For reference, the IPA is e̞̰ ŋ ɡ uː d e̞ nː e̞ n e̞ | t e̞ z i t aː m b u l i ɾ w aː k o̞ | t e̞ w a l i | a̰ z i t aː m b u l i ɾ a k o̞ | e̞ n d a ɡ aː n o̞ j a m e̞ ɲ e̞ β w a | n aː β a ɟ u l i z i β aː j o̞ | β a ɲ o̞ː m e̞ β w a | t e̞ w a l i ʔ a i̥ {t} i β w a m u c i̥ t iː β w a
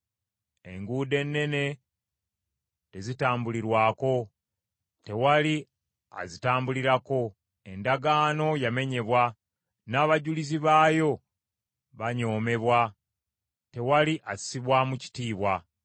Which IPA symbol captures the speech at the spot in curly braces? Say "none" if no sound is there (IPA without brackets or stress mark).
s